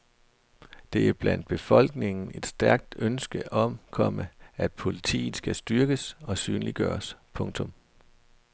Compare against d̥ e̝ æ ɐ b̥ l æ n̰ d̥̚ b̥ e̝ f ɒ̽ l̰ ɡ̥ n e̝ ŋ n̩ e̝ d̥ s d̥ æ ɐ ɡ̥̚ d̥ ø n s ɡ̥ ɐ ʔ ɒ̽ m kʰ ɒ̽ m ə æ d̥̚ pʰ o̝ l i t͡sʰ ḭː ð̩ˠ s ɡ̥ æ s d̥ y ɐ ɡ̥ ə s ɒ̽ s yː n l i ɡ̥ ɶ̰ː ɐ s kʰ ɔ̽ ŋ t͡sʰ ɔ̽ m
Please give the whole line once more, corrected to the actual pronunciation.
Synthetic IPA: d̥ e̝ æ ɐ b̥ l æ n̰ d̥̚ b̥ e̝ f ɒ̽ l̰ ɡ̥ n e̝ ŋ n̩ e̝ d̥ s d̥ æ ɐ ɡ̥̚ d̥ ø n s ɡ̥ ə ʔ ɒ̽ m kʰ ɒ̽ m ə æ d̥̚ pʰ o̝ l i t͡sʰ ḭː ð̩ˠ s ɡ̥ æ s d̥ y ɐ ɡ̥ ə s ɒ̽ s yː n l i ɡ̥ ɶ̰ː ɐ s pʰ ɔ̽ ŋ t͡sʰ ɔ̽ m

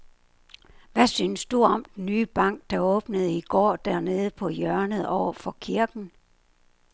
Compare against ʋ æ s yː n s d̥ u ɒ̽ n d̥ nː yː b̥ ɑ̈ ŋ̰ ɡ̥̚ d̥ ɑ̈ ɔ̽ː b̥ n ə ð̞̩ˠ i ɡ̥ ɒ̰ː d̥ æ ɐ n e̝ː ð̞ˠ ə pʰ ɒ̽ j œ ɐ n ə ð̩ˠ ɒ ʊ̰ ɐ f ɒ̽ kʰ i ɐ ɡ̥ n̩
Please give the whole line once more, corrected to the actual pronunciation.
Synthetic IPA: ʋ æ s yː n s d̥ u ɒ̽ m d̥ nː yː b̥ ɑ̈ ŋ̰ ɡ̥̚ d̥ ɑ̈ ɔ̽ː b̥ n ə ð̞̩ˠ i ɡ̥ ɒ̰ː d̥ æ ɐ n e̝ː ð̞ˠ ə pʰ ɒ̽ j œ ɐ n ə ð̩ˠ ɒ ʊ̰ ɐ f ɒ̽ kʰ i ɐ ɡ̥ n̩

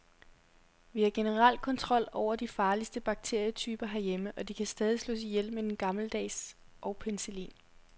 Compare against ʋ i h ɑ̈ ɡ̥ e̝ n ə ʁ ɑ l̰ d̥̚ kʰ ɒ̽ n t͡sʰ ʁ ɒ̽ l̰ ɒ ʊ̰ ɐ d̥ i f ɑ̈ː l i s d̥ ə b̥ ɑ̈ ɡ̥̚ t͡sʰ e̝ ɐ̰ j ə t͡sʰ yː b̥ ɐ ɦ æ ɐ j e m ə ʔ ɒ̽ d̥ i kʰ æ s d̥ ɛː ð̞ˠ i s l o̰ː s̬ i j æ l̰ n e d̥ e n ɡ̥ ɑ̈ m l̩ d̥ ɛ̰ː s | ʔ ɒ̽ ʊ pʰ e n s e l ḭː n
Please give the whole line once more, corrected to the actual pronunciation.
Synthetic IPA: ʋ i h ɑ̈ ɡ̥ e̝ n ə ʁ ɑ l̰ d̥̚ kʰ ɒ̽ n t͡sʰ ʁ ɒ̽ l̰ ɒ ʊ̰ ɐ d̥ i f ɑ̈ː l i s d̥ ə b̥ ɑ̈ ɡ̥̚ t͡sʰ e̝ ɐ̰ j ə t͡sʰ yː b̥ ɐ ɦ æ ɐ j e m ə ʔ ɒ̽ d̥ i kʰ æ s d̥ ɛː ð̞ˠ i s l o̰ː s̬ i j e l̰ m e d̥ e n ɡ̥ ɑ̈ m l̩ d̥ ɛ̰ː s | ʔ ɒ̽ ʊ pʰ e n s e l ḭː n

